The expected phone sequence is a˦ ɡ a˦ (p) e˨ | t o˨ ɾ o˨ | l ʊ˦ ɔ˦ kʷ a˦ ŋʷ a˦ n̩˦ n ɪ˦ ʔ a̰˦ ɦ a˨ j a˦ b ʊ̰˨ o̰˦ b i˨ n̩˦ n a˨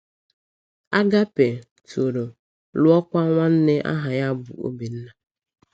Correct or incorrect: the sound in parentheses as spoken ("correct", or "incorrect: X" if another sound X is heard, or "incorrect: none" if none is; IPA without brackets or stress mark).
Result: correct